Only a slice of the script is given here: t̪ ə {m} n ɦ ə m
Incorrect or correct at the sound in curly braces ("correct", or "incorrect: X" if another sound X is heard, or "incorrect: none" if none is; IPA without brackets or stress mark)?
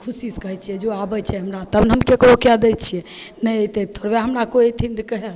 incorrect: b